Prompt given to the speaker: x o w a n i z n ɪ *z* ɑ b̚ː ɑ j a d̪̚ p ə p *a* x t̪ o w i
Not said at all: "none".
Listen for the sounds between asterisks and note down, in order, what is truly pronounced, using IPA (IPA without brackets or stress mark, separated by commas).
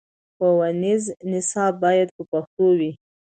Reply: s, a